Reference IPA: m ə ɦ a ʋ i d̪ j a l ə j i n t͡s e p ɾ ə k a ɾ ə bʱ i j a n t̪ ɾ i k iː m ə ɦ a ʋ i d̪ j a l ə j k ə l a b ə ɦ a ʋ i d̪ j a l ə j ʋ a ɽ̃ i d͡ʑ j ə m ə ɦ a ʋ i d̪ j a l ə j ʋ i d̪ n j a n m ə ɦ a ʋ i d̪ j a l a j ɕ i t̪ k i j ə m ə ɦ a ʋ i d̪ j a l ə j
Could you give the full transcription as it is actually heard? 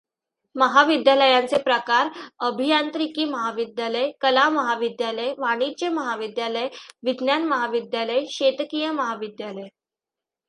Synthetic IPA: m ə ɦ a ʋ i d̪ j a l ə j a n t͡s e p ɾ ə k a ɾ ə bʱ i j a n t̪ ɾ i k iː m ə ɦ a ʋ i d̪ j a l ə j k ə l a m ə ɦ a ʋ i d̪ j a l ə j ʋ a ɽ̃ i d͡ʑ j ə m ə ɦ a ʋ i d̪ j a l ə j ʋ i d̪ n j a n m ə ɦ a ʋ i d̪ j a l ə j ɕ e t̪ k i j ə m ə ɦ a ʋ i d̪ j a l ə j

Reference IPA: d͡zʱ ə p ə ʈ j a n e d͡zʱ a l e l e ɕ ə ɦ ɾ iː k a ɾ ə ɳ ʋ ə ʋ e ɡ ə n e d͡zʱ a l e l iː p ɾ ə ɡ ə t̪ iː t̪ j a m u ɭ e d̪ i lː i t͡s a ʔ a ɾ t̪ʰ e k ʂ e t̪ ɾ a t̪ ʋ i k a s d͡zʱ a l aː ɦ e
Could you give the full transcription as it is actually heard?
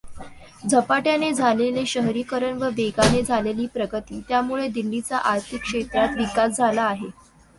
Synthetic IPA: d͡zʱ ə p a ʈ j a n e d͡zʱ a l e l e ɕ ə ɦ ɾ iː k ə ɾ ə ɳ ʋ ə ʋ e ɡ a n e d͡zʱ a l e l iː p ɾ ə ɡ ə t̪ iː t̪ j a m u ɭ e d̪ i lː i t͡s a ʔ a ɾ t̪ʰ i k ʂ e t̪ ɾ a t̪ ʋ i k a s d͡zʱ a l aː ɦ e

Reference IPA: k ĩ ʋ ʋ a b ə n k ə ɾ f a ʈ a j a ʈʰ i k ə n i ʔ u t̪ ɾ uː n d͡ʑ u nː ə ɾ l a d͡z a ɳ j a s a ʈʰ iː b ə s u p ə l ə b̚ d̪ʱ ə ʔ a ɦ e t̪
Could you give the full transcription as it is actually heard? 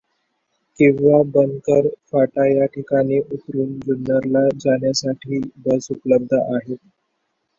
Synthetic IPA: k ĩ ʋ ʋ a b ə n k ə ɾ f a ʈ a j a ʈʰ i k a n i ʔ u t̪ ɾ uː n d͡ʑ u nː ə ɾ l a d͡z a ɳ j a s a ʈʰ iː b ə s u p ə l ə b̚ d̪ʱ ə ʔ a ɦ e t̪

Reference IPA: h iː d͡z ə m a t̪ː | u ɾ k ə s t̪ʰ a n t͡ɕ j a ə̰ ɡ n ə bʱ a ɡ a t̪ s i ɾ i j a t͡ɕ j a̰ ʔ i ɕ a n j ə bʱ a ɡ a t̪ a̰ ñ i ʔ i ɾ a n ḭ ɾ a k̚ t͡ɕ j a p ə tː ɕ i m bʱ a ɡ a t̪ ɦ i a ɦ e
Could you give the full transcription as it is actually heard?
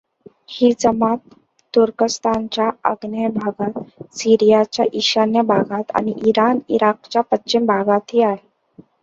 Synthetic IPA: h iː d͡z ə m a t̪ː | u ɾ k ə s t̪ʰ a n t͡ɕ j a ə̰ ɡ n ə bʱ a ɡ a t̪ s i ɾ i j a t͡ɕ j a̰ ʔ i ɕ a n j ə bʱ a ɡ a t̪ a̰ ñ i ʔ i ɾ a n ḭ ɾ a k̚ t͡ɕ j a p ə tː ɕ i m bʱ a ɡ a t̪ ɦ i a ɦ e

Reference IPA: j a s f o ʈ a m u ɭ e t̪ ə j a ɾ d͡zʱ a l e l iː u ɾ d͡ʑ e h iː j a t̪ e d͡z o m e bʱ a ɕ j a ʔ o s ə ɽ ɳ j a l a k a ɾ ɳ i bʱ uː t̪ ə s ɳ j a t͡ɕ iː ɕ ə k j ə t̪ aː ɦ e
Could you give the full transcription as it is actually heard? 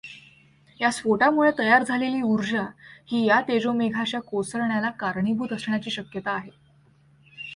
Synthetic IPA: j a s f o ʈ a m u ɭ e t̪ ə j a ɾ d͡zʱ a l e l iː u ɾ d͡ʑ a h iː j a t̪ e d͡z o m e ɡʱ a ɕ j a k o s ə ɾ ɳ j a l a k a ɾ ɳ i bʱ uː t̪ ə s ɳ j a t͡ɕ iː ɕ ə k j ə t̪ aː ɦ e

